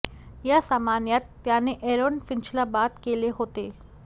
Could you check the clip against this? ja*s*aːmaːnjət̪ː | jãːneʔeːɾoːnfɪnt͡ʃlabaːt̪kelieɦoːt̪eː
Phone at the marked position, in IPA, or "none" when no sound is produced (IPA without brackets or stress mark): s